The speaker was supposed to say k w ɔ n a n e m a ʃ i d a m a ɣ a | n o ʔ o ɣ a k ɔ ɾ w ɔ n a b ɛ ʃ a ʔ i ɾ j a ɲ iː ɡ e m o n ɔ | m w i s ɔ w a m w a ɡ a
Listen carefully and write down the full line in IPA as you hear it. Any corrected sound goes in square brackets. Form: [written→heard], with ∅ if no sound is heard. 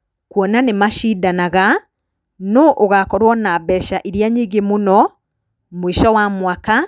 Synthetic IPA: k w ɔ n a n e m a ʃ i d a [m→n] a ɣ a | n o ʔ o ɣ a k ɔ ɾ w ɔ n a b ɛ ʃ a ʔ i ɾ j a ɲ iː ɡ e m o n ɔ | m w i [s→ʃ] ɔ w a m w a [ɡ→k] a